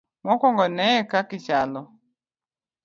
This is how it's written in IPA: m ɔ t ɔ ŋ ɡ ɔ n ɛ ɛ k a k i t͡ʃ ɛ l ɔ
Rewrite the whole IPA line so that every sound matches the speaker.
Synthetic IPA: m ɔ k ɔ ŋ ɡ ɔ n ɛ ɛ k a k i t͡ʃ a l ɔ